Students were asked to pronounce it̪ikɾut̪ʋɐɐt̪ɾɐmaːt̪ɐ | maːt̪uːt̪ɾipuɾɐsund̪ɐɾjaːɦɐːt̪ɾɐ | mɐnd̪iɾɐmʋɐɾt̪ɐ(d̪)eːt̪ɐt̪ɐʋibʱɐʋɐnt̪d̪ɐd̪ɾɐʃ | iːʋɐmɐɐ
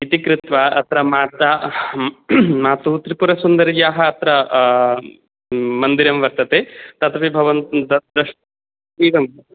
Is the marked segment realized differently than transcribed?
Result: yes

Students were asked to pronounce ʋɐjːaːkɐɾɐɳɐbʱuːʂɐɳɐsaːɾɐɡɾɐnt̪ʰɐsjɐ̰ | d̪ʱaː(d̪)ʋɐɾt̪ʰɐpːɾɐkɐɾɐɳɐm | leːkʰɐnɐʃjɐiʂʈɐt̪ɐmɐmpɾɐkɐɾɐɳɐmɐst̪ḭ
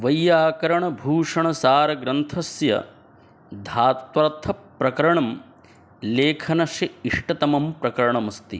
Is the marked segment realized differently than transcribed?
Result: yes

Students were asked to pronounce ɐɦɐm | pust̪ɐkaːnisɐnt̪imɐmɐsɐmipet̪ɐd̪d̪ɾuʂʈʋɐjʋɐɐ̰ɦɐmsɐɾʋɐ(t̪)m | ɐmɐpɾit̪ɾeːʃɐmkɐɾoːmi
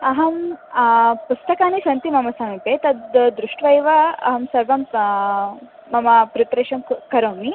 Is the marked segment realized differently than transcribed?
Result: yes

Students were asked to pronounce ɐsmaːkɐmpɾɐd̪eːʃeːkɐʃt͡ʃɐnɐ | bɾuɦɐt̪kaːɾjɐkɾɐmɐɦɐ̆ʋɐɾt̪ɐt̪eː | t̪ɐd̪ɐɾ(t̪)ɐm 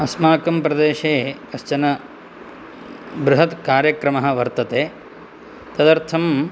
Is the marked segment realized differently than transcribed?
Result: yes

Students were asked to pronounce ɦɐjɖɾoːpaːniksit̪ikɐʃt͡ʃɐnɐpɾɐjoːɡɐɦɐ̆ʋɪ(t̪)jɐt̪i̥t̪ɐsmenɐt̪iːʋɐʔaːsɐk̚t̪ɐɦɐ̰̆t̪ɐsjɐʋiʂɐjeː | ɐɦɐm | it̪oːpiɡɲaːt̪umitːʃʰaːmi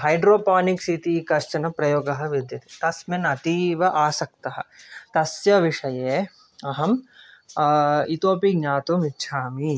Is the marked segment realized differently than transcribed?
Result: yes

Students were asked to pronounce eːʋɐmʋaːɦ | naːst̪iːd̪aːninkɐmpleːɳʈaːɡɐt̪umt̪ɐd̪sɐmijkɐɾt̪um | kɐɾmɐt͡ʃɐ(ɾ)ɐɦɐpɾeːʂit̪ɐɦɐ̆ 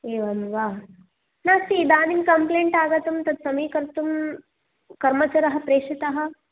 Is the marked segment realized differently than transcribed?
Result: no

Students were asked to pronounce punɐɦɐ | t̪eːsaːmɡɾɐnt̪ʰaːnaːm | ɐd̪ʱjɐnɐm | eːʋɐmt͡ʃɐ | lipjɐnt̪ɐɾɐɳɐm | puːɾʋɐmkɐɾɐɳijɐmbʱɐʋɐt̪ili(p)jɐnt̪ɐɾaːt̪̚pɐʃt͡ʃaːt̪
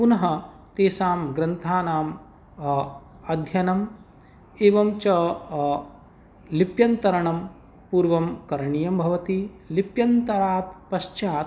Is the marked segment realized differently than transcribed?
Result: no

